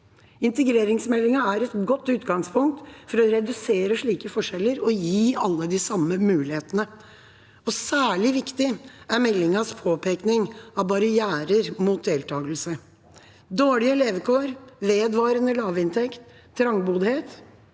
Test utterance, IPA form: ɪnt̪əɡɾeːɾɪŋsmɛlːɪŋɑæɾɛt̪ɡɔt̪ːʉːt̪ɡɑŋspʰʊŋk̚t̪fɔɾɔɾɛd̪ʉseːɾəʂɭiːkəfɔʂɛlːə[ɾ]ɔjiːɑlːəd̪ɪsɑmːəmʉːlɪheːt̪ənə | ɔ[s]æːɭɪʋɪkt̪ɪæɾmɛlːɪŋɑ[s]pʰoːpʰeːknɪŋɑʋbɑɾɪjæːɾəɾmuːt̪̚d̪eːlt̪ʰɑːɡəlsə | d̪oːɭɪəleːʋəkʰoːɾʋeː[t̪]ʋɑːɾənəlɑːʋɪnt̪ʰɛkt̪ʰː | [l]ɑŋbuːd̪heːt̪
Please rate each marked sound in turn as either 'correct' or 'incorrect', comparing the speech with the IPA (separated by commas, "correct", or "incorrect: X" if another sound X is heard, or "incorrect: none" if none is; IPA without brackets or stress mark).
correct, correct, correct, incorrect: d̪, incorrect: ɾ